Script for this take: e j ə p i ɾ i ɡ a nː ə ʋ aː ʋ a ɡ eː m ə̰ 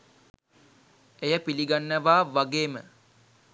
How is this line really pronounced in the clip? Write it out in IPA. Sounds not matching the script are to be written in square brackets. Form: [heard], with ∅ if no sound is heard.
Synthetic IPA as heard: e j ə p i [l] i ɡ a nː ə ʋ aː ʋ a ɡ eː m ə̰